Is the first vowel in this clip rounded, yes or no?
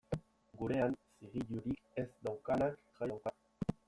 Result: yes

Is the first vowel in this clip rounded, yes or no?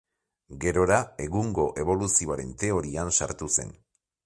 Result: no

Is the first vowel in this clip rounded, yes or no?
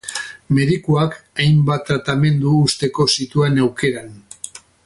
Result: no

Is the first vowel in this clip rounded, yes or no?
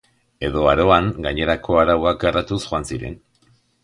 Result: no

